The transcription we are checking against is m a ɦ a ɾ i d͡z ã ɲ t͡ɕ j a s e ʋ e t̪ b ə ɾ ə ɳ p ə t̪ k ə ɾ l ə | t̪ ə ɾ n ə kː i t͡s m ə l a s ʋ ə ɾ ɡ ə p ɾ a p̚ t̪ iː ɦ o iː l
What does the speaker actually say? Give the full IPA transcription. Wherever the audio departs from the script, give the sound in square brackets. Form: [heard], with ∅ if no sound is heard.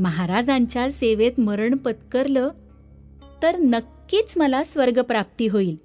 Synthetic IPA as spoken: m [ə] ɦ a ɾ [a] d͡z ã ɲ t͡ɕ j a s e ʋ e t̪ [m] ə ɾ ə ɳ p ə t̪ k ə ɾ l ə | t̪ ə ɾ n ə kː [iː] t͡s m ə l a s ʋ ə ɾ ɡ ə p ɾ a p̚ t̪ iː ɦ o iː l